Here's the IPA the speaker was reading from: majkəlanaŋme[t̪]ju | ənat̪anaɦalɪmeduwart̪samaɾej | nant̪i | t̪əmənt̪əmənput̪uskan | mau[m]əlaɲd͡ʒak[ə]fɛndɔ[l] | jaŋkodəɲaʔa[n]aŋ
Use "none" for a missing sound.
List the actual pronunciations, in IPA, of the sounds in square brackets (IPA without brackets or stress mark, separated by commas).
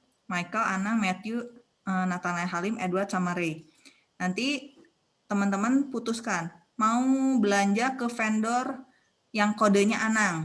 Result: t̪, b, ə, r, n